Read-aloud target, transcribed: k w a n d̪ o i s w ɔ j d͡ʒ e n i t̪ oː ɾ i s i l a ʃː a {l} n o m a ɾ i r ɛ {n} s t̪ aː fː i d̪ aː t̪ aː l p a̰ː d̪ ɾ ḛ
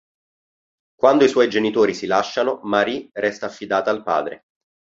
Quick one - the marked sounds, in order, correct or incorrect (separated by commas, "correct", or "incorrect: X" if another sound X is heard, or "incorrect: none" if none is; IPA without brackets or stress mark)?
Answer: incorrect: none, incorrect: none